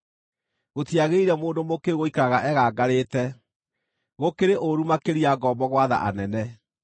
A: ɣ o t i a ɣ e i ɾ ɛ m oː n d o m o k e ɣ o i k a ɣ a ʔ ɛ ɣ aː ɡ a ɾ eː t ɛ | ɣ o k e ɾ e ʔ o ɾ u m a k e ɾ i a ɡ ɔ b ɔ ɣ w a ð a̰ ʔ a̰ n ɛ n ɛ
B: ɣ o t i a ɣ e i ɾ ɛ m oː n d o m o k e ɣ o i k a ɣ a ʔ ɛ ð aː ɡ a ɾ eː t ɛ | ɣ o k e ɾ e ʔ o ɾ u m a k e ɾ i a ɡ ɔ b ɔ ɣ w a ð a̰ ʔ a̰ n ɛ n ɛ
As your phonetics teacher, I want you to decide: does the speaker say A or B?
A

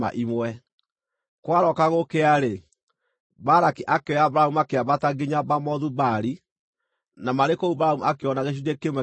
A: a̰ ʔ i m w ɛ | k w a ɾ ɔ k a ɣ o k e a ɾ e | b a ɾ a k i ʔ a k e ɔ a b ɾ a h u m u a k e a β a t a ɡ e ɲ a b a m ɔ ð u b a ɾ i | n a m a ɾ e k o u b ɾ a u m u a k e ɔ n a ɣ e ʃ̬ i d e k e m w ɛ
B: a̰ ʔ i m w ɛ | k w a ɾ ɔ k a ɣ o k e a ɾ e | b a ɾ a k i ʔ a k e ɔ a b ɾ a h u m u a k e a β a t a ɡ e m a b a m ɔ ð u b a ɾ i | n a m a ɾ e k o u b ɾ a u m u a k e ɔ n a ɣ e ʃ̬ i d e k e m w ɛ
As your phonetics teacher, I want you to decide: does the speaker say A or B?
A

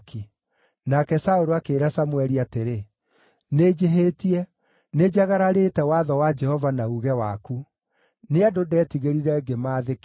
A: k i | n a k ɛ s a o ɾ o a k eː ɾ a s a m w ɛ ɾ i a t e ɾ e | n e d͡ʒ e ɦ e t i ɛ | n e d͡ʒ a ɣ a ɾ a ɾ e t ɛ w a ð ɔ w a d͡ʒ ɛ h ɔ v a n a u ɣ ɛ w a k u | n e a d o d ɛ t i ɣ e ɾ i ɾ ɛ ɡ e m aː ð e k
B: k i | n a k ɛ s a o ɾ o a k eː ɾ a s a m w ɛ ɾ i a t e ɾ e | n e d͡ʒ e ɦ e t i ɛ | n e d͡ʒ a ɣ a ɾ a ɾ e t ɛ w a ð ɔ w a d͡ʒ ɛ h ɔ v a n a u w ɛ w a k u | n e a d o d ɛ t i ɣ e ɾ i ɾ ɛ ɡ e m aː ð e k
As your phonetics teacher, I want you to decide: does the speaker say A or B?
A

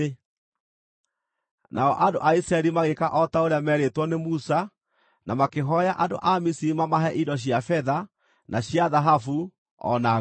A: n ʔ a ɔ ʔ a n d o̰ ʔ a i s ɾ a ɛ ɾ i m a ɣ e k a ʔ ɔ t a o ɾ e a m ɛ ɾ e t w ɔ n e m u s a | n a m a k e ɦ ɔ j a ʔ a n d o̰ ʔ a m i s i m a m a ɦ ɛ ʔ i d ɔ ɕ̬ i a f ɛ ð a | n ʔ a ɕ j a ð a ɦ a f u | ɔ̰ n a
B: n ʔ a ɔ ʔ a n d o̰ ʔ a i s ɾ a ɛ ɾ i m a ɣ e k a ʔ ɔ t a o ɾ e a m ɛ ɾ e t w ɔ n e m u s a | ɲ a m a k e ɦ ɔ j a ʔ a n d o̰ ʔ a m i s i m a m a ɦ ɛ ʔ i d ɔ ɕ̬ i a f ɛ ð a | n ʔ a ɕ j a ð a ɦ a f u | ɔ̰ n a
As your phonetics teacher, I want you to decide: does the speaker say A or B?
A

